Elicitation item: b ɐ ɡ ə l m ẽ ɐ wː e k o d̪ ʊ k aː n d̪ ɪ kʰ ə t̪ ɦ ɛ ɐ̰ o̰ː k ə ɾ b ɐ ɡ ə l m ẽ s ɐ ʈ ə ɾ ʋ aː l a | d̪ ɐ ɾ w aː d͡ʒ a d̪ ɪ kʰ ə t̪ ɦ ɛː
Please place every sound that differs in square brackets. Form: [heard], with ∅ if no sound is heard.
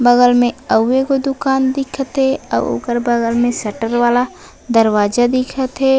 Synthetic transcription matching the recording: b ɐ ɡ ə l m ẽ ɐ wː e k o d̪ ʊ k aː n d̪ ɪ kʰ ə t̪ ɦ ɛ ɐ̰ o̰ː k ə ɾ b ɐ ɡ ə l m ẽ s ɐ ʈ ə ɾ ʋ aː l a | d̪ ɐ ɾ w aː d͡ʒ a d̪ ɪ kʰ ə t̪ ɦ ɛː